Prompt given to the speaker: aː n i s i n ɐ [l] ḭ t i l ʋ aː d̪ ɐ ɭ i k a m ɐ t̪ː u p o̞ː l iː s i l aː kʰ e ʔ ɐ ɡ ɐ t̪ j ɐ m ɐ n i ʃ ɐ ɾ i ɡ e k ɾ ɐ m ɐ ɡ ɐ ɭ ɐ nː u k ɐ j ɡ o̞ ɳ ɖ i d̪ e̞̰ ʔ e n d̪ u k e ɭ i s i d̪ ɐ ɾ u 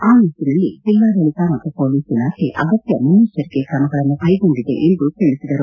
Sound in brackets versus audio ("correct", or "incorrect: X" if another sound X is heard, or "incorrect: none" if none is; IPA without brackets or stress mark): incorrect: lː